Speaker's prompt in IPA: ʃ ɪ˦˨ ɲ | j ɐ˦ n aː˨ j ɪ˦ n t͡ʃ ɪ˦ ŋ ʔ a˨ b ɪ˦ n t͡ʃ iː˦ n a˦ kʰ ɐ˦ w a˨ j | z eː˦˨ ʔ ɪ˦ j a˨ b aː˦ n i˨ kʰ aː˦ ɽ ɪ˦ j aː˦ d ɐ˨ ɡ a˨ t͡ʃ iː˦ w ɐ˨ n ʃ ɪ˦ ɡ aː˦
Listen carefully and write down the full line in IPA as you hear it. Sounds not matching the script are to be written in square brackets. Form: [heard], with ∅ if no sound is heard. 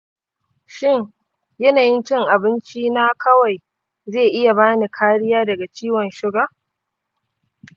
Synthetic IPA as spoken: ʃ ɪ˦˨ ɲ | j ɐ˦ n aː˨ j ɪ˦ n t͡ʃ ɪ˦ ŋ ʔ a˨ b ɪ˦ n t͡ʃ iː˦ n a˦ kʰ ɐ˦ w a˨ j | z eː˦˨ ʔ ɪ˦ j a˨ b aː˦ n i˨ kʰ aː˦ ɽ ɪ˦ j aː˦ d ɐ˨ ɡ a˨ t͡ʃ iː˦ w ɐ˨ n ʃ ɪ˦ ɡ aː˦

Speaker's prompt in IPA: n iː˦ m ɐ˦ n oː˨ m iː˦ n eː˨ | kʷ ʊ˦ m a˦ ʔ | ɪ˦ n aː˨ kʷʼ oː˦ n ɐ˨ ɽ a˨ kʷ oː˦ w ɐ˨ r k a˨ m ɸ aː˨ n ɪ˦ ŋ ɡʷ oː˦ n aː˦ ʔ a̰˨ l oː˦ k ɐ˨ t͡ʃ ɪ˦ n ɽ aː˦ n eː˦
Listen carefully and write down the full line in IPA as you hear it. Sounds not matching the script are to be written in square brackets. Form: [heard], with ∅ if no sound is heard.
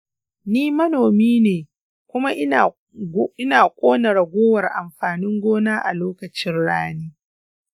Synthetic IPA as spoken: n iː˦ m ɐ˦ n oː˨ m iː˦ n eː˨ | kʷ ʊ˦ m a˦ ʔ | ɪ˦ n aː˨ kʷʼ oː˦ n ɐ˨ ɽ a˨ [ɡʷ] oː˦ w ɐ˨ r [ʔ] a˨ m ɸ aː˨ n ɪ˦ ŋ ɡʷ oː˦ n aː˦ ʔ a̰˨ l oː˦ k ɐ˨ t͡ʃ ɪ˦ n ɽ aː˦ n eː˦

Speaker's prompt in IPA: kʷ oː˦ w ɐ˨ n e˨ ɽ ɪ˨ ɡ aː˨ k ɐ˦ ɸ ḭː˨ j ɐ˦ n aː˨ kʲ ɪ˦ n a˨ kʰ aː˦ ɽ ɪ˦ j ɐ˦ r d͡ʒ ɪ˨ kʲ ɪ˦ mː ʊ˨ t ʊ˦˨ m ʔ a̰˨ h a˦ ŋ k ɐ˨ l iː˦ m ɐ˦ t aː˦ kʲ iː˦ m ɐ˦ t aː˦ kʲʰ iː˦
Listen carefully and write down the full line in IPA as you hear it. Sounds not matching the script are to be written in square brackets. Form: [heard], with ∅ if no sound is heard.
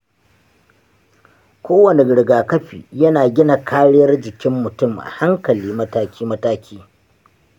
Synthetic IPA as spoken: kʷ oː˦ w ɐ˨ n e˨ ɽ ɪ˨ ɡ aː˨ k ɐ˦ ɸ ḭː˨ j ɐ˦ n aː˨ [ɡʲ] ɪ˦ n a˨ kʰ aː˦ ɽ ɪ˦ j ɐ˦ r d͡ʒ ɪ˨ kʲ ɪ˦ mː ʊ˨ t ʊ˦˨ m ʔ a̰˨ h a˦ ŋ k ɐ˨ l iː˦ m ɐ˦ t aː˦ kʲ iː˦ m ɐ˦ t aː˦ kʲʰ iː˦

